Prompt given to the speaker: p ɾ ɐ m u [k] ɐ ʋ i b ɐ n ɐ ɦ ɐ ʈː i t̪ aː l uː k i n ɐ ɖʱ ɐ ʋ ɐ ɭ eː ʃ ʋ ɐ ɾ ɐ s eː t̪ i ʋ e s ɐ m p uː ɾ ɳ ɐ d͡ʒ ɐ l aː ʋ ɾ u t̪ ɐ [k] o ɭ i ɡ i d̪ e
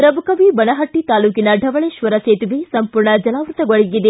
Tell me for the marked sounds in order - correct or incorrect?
correct, incorrect

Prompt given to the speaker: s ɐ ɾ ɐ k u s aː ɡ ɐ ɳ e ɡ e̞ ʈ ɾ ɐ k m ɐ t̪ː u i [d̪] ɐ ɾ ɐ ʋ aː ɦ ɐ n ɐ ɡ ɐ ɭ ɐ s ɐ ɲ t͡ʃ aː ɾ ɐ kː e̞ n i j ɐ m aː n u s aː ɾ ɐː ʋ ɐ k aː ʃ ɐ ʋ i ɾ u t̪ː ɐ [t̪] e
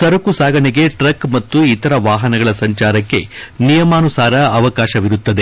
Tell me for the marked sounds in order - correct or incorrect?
incorrect, incorrect

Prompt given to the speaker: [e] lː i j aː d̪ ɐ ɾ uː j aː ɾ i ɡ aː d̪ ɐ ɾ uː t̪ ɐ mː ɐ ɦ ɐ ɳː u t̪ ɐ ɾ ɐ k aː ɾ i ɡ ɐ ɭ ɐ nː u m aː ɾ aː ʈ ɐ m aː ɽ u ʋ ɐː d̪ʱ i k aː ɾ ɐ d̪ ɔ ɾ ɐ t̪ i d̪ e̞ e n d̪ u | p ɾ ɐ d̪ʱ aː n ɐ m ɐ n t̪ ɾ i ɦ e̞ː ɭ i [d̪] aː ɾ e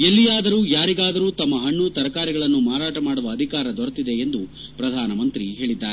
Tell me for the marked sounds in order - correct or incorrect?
correct, incorrect

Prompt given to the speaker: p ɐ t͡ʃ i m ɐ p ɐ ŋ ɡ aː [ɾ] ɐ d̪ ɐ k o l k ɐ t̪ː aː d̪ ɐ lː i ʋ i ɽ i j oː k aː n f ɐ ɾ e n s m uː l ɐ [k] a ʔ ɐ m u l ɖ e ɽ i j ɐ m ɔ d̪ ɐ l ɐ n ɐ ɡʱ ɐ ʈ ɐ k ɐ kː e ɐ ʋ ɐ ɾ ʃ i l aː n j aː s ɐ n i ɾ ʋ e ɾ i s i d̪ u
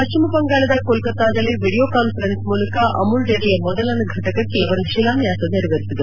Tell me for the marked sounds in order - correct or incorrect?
incorrect, correct

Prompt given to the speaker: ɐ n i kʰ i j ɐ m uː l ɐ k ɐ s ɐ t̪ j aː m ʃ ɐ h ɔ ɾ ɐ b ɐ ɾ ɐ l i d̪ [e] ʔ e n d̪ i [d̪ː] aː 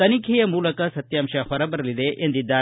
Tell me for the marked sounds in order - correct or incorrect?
correct, correct

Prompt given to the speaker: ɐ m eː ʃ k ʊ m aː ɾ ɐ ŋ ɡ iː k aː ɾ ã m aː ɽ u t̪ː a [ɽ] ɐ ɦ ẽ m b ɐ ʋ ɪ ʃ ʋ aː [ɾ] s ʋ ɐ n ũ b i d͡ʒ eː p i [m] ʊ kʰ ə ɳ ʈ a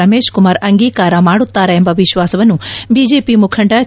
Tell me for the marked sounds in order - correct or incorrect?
incorrect, incorrect, correct

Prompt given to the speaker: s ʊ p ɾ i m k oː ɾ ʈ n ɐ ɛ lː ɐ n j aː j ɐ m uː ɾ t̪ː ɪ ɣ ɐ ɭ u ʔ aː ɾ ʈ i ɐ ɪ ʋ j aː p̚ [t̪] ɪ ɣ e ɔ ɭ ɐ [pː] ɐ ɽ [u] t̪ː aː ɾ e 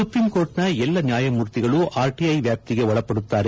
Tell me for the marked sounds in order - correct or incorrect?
correct, correct, incorrect

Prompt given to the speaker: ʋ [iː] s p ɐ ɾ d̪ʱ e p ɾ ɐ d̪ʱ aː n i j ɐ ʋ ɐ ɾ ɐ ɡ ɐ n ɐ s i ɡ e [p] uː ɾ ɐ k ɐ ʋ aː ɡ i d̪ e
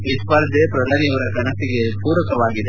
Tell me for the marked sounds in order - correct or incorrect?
incorrect, correct

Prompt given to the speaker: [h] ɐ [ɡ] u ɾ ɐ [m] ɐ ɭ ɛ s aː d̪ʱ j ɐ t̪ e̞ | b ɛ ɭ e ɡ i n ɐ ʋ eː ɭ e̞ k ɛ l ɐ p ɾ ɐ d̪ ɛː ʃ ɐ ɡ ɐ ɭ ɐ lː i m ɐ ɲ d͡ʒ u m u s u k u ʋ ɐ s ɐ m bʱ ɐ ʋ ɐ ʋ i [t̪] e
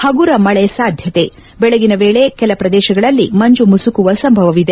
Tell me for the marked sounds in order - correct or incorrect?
correct, correct, correct, incorrect

